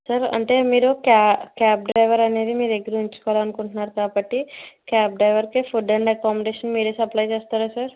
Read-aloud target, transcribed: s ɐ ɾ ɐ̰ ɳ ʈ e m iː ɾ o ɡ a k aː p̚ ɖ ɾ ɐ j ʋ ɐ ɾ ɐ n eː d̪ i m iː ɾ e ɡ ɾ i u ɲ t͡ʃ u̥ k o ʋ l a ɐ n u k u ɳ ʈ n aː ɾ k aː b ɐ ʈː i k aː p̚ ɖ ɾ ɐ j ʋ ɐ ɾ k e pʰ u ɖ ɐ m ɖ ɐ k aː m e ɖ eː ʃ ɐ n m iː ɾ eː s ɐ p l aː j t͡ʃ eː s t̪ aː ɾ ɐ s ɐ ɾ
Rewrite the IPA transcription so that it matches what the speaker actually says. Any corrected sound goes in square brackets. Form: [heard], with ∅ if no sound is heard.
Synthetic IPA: s ɐ ɾ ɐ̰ ɳ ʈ e m iː ɾ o [k] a k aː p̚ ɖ ɾ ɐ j ʋ ɐ ɾ ɐ n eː d̪ i m iː ɾ e ɡ ɾ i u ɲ t͡ʃ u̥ k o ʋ l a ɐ n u k u ɳ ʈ n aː ɾ k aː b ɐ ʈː i k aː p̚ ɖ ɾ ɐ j ʋ ɐ ɾ k e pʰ u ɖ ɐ [ɳ] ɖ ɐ k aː m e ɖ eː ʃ ɐ n m iː ɾ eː s ɐ p l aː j t͡ʃ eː s t̪ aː ɾ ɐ s ɐ ɾ